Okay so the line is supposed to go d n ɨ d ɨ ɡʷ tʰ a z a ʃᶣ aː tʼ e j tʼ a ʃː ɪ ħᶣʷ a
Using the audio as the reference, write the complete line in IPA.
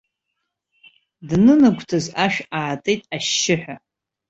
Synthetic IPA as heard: d n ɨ n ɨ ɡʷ tʰ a z a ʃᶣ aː tʼ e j tʼ a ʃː ɪ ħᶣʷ a